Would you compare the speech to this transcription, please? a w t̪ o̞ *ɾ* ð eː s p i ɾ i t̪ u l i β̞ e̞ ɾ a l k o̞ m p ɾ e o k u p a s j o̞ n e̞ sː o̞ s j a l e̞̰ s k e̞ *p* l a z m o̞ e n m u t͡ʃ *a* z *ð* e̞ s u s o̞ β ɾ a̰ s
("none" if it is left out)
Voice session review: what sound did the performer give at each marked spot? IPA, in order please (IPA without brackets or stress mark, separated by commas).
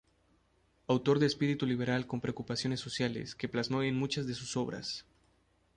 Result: ɾ, p, a, ð